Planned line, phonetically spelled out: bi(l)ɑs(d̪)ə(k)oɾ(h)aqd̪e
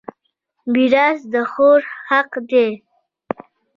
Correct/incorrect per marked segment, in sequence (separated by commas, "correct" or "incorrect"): incorrect, correct, incorrect, correct